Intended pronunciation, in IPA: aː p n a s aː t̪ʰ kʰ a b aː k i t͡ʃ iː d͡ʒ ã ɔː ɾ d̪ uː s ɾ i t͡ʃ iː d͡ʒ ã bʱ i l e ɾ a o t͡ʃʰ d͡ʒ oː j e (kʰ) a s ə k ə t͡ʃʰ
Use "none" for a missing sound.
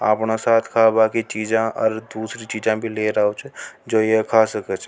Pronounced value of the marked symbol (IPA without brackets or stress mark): kʰ